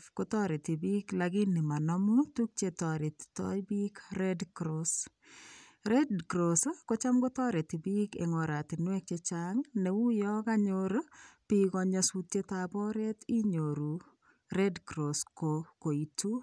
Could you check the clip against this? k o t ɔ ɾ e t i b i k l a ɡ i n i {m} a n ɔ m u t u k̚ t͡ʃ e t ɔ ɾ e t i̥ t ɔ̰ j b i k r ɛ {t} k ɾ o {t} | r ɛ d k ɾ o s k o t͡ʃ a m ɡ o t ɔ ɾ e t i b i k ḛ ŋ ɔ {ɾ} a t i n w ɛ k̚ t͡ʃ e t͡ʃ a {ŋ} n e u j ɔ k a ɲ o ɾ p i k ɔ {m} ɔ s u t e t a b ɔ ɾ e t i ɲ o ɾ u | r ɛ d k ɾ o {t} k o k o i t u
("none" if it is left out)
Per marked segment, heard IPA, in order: m, d, s, ɾ, ŋ, ɲ, s

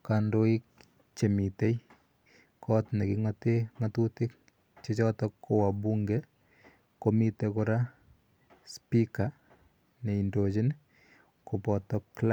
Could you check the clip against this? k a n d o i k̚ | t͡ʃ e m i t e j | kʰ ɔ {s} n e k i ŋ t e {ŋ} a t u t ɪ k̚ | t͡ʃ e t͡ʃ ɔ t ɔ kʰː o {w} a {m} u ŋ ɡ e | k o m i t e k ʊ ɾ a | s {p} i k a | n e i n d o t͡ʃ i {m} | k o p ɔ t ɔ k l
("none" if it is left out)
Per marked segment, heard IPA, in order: t, ŋ, w, b, p, n

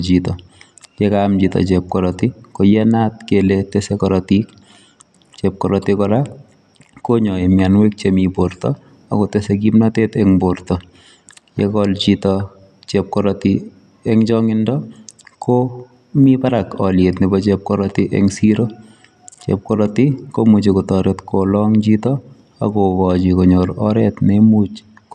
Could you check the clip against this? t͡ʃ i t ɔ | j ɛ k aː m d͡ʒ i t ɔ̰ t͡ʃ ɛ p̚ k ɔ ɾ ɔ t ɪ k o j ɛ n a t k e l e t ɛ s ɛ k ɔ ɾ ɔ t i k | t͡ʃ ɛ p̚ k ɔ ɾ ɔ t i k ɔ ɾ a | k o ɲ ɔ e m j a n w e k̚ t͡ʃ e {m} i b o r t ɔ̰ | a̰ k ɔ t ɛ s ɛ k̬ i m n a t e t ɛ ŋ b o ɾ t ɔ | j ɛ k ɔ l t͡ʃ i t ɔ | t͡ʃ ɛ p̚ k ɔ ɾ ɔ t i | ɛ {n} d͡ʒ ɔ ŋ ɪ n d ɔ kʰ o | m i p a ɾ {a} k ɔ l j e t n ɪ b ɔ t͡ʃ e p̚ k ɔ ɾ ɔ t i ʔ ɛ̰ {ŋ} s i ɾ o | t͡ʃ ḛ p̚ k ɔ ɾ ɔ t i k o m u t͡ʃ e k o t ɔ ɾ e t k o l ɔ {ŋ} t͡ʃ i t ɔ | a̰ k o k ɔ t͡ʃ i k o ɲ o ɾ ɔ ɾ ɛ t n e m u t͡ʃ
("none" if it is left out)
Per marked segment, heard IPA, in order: m, ŋ, a, ŋ, ŋ

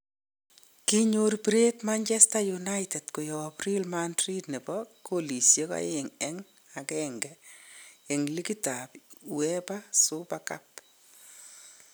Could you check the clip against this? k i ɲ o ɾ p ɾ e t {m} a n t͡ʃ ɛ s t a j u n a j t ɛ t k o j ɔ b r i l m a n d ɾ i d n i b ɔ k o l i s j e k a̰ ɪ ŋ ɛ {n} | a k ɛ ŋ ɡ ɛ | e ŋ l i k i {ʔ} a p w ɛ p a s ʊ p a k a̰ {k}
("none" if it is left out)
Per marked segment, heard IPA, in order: m, ŋ, t, p

